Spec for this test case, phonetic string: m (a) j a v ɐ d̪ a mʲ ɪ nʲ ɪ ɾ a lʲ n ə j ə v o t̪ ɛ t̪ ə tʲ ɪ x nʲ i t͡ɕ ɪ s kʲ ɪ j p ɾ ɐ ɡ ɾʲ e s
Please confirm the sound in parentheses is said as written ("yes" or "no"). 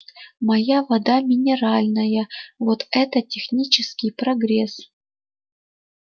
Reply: no